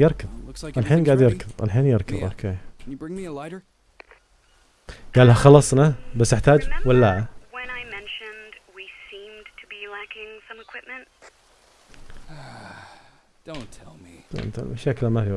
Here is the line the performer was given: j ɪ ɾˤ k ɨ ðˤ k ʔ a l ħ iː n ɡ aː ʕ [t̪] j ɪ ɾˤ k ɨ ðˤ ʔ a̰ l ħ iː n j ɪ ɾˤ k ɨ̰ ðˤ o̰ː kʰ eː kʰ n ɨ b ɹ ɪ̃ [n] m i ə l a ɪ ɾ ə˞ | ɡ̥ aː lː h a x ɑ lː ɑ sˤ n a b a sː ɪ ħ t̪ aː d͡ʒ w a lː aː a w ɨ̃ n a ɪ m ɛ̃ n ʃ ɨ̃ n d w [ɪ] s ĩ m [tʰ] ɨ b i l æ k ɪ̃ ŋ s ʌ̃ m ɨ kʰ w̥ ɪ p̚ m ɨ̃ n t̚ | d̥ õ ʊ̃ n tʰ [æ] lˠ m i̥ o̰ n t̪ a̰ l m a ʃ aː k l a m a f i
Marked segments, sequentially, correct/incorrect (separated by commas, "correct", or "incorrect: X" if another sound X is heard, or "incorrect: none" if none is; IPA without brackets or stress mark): incorrect: d̪, incorrect: ŋ, incorrect: i, correct, incorrect: ɛ